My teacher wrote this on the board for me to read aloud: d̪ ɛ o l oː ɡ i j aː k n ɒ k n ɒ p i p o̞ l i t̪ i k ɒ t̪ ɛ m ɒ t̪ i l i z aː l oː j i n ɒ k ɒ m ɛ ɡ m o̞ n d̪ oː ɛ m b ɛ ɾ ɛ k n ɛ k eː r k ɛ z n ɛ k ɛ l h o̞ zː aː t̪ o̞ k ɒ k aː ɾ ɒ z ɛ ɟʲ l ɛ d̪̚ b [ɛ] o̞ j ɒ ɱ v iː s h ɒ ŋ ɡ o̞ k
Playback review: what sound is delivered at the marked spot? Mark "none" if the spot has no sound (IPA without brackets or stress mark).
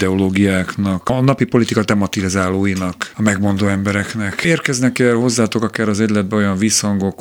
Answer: ɛ